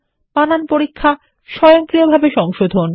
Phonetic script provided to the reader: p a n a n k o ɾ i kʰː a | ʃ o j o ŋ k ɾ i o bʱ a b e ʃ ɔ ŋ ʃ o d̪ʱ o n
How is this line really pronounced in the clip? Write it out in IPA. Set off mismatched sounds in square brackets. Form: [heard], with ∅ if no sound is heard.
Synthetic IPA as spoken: p a n a n [p] o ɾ i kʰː a | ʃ [ɔ] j o ŋ k ɾ i o bʱ a b e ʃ ɔ ŋ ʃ o d̪ʱ o n